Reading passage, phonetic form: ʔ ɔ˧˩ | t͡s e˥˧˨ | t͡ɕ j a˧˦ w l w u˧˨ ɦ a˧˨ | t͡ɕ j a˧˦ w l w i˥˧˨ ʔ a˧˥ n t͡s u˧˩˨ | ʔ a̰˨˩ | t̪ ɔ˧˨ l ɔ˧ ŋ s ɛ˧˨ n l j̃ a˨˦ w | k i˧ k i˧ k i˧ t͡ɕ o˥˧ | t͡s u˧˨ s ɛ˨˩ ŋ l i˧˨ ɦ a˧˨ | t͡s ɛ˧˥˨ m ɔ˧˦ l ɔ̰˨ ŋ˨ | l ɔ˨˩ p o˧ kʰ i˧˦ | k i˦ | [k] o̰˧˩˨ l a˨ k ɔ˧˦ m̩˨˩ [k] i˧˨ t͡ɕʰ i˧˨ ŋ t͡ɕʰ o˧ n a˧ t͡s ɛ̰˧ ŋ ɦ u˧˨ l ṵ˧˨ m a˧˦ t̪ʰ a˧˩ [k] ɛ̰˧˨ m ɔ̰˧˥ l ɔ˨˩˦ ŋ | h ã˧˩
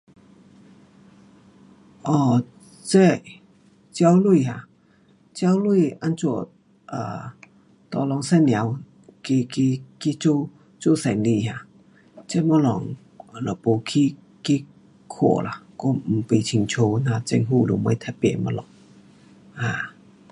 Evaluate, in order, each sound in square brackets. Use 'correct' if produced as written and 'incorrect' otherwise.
incorrect, incorrect, incorrect

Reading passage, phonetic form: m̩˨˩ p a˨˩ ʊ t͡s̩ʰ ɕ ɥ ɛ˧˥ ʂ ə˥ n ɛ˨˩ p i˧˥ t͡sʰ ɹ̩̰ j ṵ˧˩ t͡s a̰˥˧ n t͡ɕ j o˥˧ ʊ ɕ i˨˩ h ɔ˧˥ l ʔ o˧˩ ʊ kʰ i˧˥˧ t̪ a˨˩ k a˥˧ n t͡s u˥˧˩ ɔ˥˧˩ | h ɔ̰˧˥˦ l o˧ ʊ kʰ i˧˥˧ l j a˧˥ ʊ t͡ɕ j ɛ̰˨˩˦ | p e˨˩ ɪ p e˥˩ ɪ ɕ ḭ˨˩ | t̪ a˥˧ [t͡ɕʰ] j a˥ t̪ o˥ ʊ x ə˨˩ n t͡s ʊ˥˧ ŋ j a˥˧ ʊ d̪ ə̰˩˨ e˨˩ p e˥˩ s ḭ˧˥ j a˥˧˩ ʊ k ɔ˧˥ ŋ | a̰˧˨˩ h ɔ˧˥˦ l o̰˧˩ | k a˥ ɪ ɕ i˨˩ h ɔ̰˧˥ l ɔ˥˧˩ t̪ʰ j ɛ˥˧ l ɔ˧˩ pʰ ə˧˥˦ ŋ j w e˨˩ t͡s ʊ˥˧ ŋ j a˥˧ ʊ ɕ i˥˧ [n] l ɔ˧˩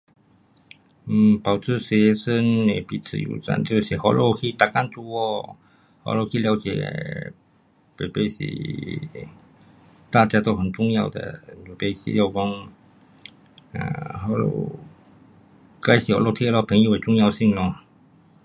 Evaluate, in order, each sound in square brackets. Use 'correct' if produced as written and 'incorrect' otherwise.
incorrect, incorrect

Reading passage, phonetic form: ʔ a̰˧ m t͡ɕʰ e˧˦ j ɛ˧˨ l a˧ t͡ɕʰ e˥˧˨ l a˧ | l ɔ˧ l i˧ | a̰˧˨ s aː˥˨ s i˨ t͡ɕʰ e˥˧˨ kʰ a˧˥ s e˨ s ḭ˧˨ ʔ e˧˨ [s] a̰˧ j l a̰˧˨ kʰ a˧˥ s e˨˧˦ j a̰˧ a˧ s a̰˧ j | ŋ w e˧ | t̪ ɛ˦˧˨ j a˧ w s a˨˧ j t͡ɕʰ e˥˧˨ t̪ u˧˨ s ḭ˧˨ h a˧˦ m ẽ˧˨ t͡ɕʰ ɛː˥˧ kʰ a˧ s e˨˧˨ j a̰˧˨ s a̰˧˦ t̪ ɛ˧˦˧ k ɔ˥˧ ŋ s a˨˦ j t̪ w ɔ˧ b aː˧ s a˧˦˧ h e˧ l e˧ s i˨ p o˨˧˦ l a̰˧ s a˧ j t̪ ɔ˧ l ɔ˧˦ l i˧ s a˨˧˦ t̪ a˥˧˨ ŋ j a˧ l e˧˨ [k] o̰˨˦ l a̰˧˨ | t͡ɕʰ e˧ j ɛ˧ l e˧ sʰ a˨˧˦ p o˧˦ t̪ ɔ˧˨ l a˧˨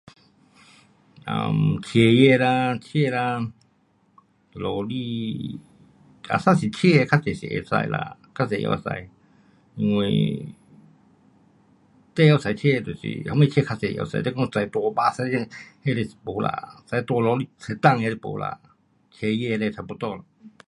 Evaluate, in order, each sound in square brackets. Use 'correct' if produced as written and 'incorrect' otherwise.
correct, incorrect

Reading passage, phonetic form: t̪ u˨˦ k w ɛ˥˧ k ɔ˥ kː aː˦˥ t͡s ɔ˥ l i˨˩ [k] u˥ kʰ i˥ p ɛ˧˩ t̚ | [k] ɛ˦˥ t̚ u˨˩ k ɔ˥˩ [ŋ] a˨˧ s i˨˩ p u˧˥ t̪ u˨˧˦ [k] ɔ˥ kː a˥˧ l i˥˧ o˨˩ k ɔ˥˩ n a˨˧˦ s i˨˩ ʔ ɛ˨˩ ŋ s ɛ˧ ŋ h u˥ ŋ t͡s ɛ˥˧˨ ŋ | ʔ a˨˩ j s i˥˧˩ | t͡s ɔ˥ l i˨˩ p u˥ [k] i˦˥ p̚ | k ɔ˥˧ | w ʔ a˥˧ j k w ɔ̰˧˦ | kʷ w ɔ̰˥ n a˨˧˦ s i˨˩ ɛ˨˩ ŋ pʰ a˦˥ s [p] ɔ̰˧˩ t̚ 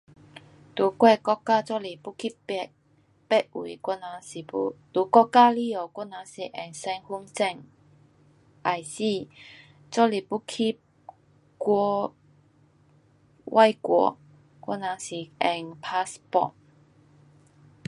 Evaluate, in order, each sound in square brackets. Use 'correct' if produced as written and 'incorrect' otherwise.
incorrect, incorrect, incorrect, correct, incorrect, correct

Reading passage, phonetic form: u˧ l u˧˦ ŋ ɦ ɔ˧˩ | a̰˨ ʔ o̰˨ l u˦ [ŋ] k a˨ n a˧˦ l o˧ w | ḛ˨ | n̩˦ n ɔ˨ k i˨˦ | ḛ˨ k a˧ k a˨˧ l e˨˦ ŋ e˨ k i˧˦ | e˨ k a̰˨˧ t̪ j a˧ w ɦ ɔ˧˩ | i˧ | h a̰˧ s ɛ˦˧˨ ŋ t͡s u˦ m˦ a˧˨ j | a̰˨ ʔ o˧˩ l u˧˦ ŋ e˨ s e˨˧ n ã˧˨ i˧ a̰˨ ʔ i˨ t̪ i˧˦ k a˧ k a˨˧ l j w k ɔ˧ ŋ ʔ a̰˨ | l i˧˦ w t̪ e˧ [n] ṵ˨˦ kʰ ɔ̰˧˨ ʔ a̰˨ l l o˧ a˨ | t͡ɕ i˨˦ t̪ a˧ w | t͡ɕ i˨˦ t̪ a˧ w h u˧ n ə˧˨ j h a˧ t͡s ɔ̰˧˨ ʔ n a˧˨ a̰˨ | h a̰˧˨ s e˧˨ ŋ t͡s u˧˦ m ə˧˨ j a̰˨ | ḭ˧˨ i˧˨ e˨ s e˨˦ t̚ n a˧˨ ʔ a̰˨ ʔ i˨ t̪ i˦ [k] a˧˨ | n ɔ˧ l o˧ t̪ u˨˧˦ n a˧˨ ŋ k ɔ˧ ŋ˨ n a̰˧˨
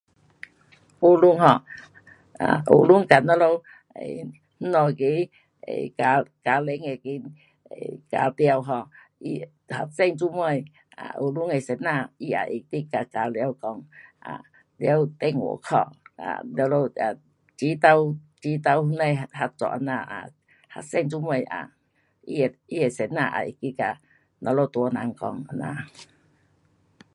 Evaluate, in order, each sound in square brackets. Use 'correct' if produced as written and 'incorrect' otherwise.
correct, incorrect, correct

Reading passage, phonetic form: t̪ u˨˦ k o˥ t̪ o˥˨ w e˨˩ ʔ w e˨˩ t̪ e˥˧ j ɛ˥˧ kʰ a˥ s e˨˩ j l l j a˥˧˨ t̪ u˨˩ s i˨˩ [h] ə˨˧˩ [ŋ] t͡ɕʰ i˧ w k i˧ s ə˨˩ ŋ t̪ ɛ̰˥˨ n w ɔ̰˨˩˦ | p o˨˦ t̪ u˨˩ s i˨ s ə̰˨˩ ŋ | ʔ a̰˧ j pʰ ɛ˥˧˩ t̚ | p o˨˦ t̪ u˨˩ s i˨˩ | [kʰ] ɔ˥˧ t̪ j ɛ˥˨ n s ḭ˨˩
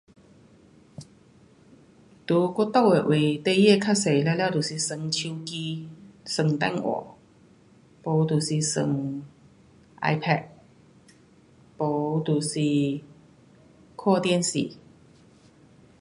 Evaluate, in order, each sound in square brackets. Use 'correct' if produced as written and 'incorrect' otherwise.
incorrect, correct, correct

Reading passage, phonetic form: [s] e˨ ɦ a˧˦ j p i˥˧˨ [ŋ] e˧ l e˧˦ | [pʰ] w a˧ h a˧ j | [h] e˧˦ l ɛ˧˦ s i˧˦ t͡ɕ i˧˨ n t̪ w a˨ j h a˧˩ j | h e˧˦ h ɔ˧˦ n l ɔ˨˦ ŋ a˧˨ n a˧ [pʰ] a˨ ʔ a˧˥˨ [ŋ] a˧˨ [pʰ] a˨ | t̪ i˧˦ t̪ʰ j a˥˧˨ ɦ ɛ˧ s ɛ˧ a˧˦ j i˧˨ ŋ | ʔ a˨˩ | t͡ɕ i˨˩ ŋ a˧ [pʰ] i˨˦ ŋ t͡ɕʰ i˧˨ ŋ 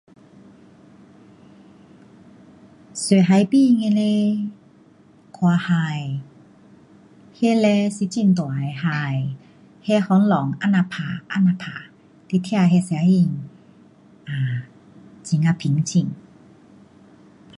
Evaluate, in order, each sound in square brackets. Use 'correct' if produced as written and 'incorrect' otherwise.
correct, correct, incorrect, correct, correct, incorrect, correct, correct

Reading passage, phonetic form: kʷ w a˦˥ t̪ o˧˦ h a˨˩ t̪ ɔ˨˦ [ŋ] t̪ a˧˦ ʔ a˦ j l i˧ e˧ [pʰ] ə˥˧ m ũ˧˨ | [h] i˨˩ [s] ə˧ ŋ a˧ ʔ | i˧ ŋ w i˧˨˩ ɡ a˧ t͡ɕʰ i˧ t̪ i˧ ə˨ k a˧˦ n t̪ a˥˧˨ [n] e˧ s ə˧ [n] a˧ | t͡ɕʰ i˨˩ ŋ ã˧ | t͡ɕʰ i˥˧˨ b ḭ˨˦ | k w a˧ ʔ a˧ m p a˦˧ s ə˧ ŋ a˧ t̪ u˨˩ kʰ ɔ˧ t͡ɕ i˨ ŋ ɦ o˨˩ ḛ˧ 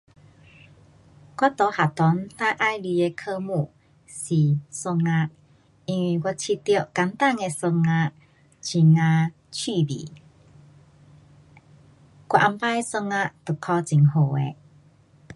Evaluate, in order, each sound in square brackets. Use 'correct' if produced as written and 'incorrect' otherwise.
incorrect, incorrect, incorrect, correct, incorrect, incorrect

